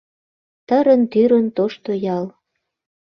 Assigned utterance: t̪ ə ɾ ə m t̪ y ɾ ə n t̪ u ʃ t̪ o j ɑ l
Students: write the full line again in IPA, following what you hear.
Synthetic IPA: t̪ ə ɾ ə n t̪ y ɾ ə n t̪ o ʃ t̪ o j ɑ l